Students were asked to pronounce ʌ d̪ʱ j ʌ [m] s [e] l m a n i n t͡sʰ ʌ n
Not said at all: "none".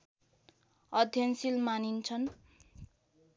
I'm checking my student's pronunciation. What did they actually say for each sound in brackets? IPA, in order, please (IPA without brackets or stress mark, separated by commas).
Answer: n, i